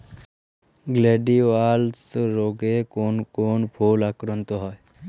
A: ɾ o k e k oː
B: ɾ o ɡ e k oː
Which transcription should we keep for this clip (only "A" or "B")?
B